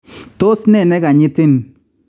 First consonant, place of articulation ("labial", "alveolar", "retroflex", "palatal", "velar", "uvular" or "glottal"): alveolar